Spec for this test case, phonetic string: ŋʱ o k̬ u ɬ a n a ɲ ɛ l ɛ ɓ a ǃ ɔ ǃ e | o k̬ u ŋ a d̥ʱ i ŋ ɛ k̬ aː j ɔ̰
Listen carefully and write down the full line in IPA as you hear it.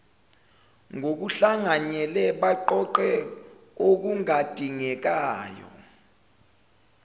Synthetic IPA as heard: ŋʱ o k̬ u ɬ a ŋ a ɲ ɛ l ɛ ɓ a ǃ ɔ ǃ ɛ | o k̬ u ŋ a d̥ʱ i ŋ ɛ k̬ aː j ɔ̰